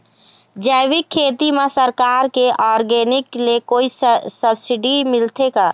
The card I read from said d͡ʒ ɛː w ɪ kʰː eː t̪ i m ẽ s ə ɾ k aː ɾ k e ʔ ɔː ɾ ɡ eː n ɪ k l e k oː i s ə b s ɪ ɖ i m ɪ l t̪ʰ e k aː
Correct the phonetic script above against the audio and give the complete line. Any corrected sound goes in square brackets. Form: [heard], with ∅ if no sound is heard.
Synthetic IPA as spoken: d͡ʒ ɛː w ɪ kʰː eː t̪ i m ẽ s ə ɾ k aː ɾ k e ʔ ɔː ɾ ɡ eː n ɪ k l e k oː i s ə b s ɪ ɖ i m ɪ l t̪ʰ e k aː